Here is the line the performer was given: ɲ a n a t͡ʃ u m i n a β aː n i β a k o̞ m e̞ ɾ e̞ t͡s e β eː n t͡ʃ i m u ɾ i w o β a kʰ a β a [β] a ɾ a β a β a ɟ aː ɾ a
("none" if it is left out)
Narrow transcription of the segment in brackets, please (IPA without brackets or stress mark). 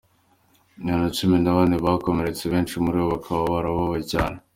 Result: β